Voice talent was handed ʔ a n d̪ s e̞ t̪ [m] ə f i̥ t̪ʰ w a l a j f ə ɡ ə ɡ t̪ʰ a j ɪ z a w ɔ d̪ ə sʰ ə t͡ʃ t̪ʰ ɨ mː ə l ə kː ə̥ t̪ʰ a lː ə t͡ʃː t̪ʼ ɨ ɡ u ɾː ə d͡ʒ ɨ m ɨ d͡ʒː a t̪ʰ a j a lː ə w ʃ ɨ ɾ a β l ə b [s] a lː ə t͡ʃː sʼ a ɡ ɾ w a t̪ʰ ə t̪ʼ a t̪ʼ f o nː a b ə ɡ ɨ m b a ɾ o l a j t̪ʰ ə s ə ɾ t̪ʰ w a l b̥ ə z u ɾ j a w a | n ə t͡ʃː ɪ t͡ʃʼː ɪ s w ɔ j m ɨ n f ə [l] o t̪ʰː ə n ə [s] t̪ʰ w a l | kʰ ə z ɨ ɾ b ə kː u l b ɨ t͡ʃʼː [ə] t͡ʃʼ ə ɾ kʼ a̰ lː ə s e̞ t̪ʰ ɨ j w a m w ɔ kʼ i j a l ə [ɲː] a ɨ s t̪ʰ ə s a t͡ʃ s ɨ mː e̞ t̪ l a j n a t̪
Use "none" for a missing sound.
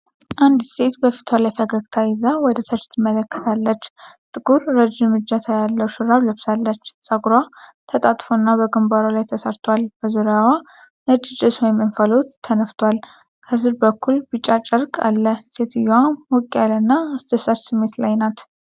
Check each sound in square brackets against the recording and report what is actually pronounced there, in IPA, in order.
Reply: b, s, l, f, a, nː

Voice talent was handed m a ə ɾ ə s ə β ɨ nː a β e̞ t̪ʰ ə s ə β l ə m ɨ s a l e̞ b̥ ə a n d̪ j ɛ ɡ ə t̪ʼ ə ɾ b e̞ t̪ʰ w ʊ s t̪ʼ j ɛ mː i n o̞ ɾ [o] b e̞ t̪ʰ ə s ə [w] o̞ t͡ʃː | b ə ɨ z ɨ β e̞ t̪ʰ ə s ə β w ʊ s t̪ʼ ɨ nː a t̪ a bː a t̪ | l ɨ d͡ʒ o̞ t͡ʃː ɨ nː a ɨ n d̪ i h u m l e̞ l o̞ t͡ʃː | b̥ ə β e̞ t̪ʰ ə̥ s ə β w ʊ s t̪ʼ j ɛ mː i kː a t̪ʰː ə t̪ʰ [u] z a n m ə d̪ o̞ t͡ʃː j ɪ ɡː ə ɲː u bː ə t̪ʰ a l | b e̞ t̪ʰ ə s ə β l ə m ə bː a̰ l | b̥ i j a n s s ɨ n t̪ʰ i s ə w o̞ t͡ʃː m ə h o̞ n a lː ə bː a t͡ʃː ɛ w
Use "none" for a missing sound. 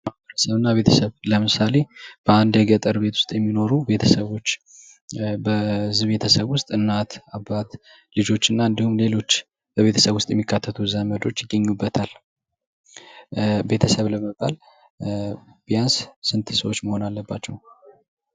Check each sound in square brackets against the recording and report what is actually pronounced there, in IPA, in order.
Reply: u, β, u

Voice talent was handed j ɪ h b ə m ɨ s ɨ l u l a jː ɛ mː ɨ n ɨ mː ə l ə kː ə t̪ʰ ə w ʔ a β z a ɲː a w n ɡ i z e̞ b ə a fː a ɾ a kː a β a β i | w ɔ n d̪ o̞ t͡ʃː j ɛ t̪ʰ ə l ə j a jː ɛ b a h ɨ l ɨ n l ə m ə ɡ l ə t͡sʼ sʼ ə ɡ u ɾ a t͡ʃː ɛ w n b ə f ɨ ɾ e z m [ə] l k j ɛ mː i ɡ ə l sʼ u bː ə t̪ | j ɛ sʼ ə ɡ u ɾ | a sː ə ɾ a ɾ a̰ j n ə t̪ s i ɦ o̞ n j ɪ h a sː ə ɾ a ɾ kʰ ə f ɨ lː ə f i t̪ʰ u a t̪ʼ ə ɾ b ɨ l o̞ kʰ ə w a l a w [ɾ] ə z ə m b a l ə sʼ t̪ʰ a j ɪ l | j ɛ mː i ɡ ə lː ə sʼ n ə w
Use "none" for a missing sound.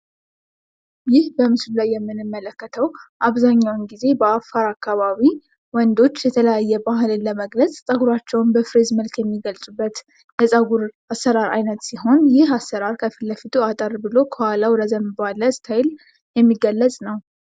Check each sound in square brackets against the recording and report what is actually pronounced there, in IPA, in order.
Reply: ə, ɾ

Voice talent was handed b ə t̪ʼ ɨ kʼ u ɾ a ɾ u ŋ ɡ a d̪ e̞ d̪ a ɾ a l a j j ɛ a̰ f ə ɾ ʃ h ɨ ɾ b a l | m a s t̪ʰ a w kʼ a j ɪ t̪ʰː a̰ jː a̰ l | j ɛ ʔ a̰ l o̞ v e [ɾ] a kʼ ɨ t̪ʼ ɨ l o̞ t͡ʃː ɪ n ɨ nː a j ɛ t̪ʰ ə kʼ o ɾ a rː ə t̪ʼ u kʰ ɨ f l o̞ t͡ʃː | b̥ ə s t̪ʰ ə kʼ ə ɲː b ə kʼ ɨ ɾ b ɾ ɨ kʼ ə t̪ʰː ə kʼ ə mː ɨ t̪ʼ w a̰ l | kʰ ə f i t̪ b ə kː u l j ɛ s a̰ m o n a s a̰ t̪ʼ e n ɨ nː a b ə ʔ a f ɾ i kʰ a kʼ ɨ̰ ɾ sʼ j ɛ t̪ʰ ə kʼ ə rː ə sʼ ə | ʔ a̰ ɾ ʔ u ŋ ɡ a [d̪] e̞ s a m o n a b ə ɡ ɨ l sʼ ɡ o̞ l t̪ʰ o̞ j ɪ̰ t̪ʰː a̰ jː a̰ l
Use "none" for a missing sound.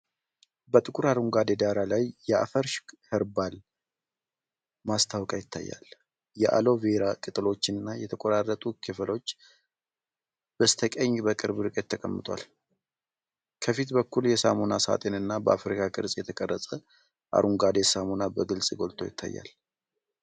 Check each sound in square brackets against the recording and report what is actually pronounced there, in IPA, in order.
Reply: ɾ, d̪

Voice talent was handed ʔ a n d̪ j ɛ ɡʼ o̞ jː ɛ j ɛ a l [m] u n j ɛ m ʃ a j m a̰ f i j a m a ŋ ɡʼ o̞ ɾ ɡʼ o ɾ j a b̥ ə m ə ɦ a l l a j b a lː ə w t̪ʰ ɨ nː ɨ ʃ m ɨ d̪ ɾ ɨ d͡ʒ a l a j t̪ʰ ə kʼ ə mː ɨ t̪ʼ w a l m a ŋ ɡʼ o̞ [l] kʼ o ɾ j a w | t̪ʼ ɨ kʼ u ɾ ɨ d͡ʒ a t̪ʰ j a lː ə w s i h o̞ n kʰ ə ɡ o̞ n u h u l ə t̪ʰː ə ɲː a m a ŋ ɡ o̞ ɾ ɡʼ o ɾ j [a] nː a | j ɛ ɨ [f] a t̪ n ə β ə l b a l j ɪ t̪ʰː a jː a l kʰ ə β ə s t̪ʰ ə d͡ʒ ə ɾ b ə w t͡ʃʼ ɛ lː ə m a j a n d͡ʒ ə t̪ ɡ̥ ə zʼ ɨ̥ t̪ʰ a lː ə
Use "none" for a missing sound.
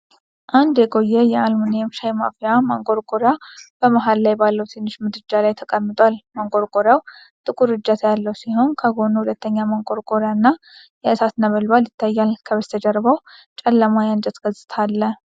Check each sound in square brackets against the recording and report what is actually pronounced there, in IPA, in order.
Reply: m, ɾ, a, s

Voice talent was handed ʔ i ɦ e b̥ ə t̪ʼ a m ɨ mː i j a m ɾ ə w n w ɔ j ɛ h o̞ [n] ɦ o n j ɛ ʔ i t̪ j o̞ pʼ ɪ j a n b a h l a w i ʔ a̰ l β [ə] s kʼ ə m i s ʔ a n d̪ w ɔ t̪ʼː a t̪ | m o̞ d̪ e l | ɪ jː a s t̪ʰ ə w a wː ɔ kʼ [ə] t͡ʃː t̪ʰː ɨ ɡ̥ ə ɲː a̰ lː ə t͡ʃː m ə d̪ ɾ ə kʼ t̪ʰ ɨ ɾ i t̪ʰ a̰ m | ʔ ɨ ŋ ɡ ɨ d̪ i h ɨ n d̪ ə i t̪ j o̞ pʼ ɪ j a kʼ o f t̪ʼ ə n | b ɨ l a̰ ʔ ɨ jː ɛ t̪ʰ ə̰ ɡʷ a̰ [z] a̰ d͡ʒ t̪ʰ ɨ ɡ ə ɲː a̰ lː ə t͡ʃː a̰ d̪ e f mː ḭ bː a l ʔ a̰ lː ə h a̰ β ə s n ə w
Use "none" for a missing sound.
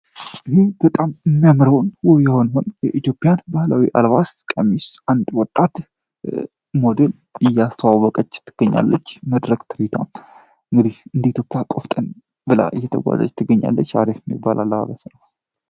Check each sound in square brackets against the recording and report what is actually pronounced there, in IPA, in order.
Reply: n, a, ə, z

